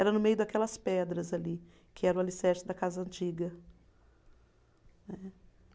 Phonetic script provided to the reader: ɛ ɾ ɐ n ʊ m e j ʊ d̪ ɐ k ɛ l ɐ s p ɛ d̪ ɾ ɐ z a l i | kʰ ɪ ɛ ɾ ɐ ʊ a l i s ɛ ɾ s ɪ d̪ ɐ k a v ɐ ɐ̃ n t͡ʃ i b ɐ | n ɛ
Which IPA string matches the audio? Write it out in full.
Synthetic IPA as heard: ɛ ɾ ɐ n ʊ m e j ʊ d̪ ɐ k ɛ l ɐ s p ɛ d̪ ɾ ɐ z a l i | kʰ ɪ ɛ ɾ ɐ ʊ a l i s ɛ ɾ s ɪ d̪ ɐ k a z ɐ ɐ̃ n t͡ʃ i ɡ ɐ | n ɛ